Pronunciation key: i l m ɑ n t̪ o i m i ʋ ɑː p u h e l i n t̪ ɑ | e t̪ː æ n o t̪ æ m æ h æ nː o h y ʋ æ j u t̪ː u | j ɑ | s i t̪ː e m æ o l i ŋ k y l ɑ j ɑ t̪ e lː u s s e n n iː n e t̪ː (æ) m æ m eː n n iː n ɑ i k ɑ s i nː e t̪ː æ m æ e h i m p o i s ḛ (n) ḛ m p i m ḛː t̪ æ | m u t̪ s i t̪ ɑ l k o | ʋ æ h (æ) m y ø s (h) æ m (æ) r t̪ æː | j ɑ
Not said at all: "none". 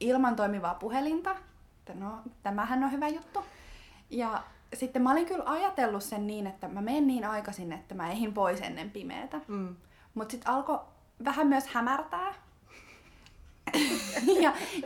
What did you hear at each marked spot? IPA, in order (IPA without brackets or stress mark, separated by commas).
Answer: æ, nː, æ, h, æ